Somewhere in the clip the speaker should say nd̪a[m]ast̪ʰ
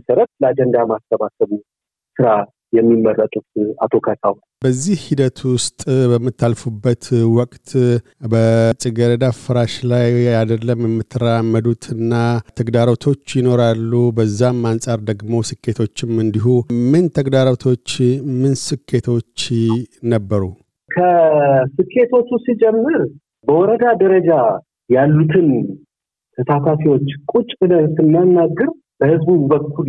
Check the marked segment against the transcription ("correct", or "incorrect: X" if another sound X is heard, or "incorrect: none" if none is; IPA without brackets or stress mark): correct